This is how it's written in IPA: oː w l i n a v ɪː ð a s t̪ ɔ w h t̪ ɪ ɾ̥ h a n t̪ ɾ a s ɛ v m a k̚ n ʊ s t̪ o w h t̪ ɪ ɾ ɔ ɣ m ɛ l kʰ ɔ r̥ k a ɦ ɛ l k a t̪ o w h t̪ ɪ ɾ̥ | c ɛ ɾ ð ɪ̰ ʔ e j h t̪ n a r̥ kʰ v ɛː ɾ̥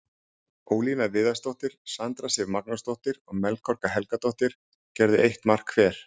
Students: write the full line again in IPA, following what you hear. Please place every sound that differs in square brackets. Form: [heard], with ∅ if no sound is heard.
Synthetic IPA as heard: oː w l i n a v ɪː ð a s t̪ [o] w h t̪ ɪ ɾ̥ [s] a n t̪ ɾ a s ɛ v m a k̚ n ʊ s t̪ o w h t̪ ɪ ɾ ɔ ɣ m ɛ l kʰ ɔ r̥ k a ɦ ɛ l k a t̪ o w h t̪ ɪ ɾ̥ | c ɛ ɾ ð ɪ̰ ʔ e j h t̪ [m] a r̥ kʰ v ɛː ɾ̥